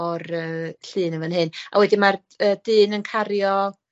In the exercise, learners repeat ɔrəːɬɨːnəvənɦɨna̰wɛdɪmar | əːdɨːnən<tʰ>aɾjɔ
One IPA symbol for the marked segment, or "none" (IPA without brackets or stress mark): kʰ